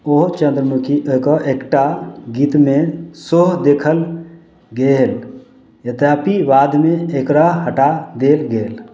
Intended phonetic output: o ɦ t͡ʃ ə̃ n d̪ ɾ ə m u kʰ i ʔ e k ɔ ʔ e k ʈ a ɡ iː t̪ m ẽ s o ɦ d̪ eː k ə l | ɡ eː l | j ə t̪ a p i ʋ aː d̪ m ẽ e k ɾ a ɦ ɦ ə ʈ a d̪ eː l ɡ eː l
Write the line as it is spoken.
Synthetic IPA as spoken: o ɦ t͡ʃ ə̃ n d̪ ɾ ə m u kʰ i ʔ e k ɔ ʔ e k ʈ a ɡ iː t̪ m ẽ s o ɦ d̪ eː kʰ ə l | ɡ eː l | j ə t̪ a p i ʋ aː d̪ m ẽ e k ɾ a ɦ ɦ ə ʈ a d̪ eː l ɡ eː l